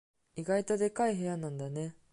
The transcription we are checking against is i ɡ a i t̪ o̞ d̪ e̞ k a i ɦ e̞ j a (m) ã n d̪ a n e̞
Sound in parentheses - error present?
yes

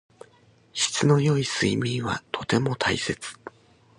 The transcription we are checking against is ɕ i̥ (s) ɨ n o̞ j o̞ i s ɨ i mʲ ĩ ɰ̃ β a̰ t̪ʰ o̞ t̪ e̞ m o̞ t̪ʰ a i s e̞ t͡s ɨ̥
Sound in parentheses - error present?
yes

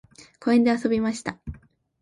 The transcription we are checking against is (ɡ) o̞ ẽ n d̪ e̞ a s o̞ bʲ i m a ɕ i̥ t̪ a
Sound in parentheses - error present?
yes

